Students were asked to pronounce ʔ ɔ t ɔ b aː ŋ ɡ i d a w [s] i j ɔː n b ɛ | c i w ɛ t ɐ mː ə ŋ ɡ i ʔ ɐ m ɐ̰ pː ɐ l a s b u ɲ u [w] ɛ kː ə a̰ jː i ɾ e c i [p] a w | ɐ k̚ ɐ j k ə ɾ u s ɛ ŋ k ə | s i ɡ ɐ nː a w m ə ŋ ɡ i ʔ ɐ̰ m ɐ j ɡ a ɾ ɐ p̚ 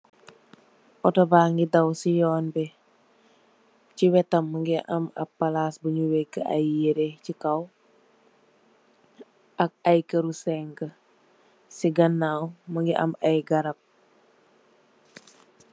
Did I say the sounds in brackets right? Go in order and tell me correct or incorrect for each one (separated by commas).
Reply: correct, correct, incorrect